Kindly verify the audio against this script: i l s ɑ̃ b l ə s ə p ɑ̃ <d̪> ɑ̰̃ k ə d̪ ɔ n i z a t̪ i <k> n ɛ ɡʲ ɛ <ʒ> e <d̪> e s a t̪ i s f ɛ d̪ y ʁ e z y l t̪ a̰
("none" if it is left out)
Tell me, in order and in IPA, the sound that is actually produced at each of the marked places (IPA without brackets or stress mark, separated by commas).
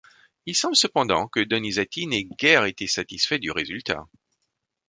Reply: d̪, none, ʁ, t̪